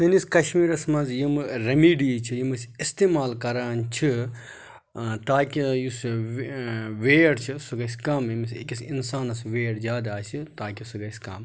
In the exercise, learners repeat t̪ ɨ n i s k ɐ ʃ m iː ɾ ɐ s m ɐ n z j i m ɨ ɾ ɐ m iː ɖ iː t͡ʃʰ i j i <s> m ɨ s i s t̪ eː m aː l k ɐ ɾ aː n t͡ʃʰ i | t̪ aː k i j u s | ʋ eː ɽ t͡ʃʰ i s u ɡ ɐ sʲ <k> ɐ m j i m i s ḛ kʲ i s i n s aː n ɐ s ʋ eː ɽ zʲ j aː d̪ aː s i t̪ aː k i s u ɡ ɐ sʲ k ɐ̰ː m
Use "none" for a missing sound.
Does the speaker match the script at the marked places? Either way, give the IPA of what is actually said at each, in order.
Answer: none, k

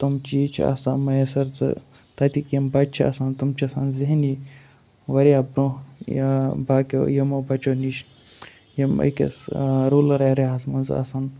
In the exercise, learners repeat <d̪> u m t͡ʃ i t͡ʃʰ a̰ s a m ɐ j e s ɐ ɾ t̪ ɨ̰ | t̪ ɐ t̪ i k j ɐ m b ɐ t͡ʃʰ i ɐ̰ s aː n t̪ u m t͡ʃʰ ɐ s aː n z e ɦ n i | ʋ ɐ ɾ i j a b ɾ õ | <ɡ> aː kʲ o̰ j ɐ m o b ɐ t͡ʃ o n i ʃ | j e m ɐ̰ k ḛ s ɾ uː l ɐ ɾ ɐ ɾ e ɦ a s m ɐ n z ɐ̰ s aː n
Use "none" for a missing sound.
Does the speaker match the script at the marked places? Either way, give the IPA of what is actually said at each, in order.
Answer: t̪, b

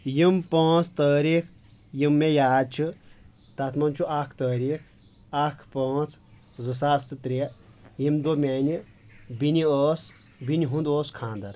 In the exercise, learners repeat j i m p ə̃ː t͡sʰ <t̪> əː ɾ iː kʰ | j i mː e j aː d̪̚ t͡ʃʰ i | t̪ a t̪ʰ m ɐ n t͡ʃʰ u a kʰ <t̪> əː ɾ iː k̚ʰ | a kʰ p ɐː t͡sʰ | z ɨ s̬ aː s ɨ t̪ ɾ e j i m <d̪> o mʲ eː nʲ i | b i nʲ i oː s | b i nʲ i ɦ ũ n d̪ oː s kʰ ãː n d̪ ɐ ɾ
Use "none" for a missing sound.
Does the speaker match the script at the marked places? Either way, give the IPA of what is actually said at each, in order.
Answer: t̪, t̪, d̪

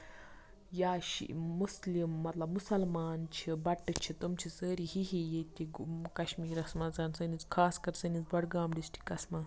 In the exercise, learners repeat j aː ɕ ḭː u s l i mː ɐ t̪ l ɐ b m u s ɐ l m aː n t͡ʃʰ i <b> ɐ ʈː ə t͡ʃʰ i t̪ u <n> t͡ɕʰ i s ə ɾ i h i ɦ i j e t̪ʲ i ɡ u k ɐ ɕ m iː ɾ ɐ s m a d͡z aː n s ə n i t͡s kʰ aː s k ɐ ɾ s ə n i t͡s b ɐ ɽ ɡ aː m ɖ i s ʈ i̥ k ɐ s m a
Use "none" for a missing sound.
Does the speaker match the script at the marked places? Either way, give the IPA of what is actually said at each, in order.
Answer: b, m

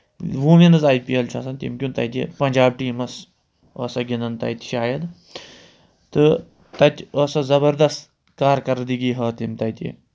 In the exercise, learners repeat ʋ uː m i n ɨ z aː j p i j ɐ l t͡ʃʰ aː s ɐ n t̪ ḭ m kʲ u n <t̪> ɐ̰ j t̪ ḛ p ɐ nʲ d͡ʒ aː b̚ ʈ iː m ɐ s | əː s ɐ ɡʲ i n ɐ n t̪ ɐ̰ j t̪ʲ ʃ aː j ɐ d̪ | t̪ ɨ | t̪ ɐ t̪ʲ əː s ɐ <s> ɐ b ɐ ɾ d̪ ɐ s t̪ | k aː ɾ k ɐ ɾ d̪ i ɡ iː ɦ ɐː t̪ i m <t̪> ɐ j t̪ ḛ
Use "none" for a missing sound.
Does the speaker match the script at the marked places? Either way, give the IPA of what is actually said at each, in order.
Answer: t̪, z, t̪

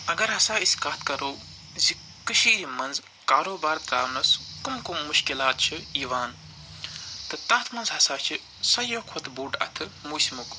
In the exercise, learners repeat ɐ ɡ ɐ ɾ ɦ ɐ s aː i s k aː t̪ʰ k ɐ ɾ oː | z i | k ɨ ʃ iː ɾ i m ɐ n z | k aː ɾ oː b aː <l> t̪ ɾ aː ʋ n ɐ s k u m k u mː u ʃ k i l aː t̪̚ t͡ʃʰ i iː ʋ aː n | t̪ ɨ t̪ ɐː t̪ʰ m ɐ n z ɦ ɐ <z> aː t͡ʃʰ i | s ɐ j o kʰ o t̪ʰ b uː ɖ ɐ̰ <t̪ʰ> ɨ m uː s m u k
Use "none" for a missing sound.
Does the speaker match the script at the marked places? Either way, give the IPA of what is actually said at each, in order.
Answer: ɾ, s, t̪ʰ

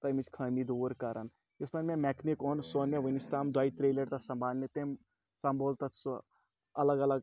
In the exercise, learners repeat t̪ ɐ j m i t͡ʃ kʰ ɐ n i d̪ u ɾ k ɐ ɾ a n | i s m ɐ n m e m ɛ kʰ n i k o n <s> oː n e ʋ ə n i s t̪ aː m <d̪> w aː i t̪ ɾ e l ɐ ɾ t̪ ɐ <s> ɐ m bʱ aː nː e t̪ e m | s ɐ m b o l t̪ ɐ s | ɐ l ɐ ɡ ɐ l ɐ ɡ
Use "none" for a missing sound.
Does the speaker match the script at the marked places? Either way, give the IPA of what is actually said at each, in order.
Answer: s, d̪, s

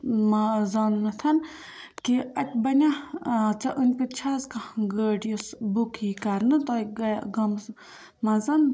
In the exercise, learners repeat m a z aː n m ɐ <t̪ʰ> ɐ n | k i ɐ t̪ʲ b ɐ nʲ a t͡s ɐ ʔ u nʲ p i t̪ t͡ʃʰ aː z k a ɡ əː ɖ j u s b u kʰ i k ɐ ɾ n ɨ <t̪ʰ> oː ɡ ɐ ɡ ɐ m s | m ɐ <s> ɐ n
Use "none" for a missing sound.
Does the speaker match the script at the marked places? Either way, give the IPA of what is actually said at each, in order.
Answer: t̪ʰ, t̪, z

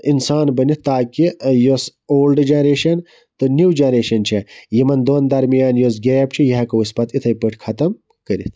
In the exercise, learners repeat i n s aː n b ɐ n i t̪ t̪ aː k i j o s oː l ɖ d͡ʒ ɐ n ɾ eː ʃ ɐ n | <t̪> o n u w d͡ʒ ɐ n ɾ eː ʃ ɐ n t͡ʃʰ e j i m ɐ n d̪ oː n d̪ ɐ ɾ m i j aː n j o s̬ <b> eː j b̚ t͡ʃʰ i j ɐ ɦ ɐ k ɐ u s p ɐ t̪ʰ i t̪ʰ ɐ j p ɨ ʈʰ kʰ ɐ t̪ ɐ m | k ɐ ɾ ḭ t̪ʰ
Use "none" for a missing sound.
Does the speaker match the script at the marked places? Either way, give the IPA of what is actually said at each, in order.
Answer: t̪, ɡ

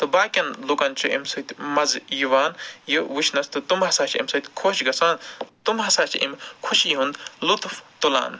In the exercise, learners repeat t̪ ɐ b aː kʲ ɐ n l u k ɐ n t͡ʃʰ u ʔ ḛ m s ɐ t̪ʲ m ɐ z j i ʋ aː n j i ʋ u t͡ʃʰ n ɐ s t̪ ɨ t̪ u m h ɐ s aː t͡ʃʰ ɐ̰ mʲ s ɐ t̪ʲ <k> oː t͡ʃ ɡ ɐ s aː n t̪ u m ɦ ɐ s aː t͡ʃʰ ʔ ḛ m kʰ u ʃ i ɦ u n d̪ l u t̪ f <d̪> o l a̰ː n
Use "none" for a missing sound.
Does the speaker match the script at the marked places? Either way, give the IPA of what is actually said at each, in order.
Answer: kʰ, t̪

